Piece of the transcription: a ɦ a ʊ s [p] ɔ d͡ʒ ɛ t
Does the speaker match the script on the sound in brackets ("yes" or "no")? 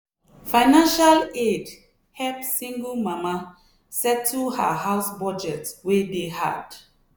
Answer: no